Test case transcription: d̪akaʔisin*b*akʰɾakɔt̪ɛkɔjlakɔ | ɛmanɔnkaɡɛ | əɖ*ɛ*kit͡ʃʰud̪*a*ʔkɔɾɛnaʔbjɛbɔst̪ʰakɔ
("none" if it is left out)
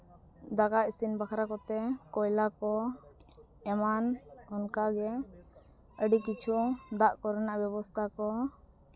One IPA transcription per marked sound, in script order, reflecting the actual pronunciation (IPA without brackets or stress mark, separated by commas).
b, i, a